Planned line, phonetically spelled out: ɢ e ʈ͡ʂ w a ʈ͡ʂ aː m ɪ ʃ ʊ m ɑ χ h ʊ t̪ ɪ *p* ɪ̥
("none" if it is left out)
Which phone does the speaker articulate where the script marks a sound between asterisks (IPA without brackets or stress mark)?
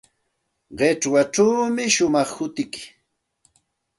k